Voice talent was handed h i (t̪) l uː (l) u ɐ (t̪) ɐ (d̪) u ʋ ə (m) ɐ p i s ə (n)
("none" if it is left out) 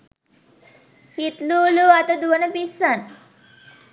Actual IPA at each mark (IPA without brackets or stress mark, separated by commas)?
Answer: t̪, l, t̪, d̪, n, n